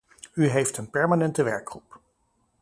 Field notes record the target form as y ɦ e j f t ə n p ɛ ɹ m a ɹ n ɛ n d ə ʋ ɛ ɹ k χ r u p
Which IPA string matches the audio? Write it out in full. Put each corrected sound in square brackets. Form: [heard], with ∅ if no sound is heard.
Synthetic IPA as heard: y ɦ e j f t ə n p ɛ ɹ m a [∅] n ɛ n [t] ə ʋ ɛ ɹ k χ r u p